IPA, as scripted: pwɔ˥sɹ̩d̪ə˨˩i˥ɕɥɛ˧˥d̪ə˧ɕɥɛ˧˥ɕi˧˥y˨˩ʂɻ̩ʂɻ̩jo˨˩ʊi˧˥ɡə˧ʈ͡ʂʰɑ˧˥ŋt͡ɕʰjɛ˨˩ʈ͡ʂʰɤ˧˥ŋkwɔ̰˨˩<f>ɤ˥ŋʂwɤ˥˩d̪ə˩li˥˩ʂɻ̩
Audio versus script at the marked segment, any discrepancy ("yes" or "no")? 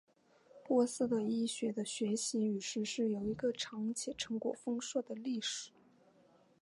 no